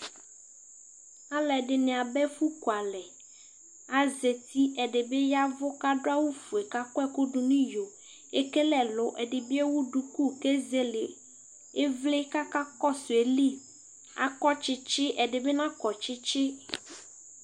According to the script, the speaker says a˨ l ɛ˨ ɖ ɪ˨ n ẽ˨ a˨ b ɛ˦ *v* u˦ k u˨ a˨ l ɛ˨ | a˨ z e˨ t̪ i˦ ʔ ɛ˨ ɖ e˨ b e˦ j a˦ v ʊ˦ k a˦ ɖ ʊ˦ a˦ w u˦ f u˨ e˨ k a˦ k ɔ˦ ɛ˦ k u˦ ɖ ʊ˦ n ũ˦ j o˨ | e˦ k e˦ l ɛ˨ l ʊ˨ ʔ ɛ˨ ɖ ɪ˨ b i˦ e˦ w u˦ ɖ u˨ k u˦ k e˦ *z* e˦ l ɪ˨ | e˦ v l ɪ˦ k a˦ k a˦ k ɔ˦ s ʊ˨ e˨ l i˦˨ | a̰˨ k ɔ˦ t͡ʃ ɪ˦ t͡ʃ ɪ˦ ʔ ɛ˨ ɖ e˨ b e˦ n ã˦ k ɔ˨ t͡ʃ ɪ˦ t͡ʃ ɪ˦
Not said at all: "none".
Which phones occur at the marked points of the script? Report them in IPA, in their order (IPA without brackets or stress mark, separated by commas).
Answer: f, z